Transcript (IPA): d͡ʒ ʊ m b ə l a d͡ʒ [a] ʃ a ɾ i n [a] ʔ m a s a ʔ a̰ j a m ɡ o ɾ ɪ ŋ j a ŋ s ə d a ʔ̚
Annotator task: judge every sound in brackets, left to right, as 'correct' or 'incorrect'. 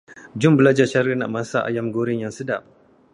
correct, correct

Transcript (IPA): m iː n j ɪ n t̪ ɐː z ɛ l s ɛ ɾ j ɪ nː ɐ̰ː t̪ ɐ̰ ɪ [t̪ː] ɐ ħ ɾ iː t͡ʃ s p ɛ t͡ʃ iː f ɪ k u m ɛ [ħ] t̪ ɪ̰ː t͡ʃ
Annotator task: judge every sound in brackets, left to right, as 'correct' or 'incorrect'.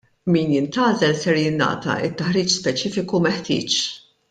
correct, correct

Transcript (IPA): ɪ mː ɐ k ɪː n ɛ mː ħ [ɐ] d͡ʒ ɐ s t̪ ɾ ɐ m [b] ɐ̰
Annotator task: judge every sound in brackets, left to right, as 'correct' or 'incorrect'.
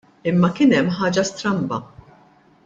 incorrect: ɐː, correct

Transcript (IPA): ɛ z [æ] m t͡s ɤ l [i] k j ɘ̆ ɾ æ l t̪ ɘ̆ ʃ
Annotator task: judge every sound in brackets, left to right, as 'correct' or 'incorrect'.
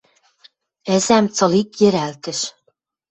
correct, correct

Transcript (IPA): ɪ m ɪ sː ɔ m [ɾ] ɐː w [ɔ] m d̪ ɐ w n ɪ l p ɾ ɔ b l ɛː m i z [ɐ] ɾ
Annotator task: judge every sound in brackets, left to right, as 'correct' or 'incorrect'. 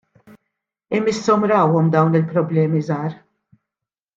correct, correct, incorrect: ɐː

